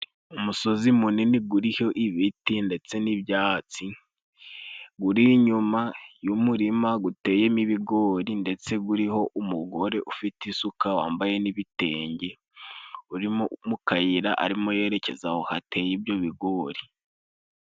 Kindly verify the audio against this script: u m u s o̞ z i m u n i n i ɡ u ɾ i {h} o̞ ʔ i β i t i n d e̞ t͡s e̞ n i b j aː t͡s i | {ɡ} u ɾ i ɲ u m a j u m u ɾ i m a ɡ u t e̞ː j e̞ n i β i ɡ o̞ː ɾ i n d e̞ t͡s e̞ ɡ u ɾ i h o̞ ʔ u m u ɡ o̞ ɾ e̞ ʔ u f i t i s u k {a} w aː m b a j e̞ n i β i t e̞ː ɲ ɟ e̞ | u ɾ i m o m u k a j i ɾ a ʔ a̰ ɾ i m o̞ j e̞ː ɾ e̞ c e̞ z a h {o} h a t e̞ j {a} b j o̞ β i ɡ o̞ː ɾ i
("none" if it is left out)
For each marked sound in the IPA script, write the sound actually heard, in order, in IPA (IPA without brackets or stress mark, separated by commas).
h, ɡ, a, o, i